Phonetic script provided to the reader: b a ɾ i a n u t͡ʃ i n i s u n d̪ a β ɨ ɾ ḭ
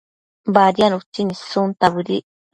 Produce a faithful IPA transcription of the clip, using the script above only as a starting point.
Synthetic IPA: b a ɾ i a n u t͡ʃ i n i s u n t̪ a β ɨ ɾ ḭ